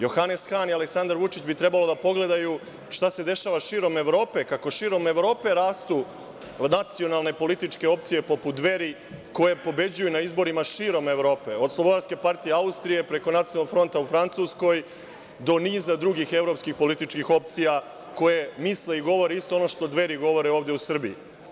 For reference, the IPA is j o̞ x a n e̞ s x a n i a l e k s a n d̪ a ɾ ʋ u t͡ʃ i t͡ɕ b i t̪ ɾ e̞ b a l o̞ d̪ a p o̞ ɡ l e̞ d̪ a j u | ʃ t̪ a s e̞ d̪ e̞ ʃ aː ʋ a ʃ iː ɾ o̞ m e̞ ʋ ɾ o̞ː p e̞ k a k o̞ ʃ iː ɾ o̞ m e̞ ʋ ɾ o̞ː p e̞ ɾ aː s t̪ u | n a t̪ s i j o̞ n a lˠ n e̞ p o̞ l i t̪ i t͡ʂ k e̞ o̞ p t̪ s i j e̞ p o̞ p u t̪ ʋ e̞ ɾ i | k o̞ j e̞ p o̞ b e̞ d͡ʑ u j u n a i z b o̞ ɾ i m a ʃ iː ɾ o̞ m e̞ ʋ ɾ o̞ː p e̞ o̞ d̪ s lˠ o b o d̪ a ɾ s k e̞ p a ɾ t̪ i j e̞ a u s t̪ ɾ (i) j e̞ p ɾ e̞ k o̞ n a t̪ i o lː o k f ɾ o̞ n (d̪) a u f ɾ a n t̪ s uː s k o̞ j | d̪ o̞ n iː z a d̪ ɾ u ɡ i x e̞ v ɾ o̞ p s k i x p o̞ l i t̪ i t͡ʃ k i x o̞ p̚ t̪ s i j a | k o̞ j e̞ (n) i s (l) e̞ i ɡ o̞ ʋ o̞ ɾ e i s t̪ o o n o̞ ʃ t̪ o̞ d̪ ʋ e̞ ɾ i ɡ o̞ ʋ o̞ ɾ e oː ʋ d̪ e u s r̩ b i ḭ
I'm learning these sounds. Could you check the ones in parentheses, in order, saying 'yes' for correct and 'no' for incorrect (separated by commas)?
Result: yes, no, no, yes